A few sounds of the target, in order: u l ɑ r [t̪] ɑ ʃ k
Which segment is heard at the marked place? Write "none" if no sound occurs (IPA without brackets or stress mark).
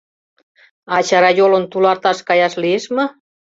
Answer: t̪